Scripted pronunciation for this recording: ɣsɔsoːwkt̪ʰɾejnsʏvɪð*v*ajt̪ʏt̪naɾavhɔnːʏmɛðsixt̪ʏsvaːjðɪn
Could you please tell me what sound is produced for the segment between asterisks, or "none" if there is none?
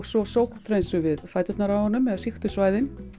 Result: f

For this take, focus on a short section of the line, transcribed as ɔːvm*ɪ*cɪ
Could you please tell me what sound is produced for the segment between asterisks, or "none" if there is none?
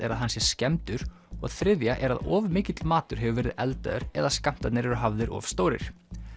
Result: ɪː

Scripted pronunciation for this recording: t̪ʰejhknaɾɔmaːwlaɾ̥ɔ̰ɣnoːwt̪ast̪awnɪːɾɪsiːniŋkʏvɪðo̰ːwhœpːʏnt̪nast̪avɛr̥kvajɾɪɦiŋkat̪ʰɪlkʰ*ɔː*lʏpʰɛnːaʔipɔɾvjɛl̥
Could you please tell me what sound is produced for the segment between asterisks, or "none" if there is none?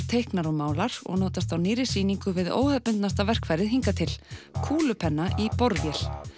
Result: uː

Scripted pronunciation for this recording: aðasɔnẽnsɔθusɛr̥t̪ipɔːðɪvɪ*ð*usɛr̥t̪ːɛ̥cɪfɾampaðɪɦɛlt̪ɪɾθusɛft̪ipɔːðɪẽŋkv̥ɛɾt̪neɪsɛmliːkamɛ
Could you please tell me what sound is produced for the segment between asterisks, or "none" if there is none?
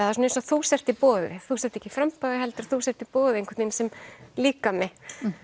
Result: θ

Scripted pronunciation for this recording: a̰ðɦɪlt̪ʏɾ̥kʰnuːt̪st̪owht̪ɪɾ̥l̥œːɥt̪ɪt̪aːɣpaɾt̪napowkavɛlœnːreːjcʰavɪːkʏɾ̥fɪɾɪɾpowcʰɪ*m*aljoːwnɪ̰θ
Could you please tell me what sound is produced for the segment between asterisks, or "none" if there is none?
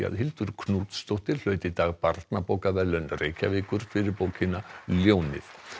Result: n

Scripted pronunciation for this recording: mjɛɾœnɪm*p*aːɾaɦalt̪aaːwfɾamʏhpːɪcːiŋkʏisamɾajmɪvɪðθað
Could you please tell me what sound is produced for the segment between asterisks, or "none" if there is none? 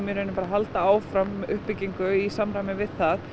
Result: p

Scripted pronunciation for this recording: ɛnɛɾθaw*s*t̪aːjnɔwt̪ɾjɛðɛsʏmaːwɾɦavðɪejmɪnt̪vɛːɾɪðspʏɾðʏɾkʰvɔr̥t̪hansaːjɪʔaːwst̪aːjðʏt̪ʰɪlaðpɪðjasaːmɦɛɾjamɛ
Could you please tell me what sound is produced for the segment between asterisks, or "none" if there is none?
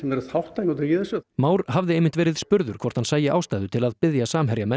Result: h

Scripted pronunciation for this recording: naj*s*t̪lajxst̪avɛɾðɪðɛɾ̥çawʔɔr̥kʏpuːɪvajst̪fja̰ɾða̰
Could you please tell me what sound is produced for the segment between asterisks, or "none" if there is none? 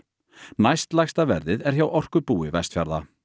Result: s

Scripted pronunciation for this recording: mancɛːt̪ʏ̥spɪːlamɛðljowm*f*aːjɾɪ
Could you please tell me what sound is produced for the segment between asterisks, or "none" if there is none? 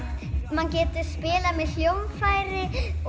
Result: f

